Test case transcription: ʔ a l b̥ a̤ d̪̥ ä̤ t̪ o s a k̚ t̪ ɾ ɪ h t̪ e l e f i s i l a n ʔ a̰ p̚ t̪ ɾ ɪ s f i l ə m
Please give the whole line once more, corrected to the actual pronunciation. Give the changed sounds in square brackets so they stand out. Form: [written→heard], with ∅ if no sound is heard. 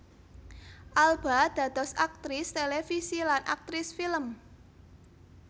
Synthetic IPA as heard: ʔ a l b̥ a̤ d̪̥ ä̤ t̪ [o→ɔ] s a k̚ t̪ ɾ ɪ [h→s] t̪ e l e f i s i l a n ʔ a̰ [p̚→k̚] t̪ ɾ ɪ s f i l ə m